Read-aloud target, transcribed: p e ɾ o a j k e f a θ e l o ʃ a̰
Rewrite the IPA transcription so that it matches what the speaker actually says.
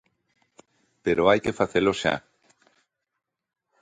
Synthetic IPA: p e ɾ o a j k e f a θ e l o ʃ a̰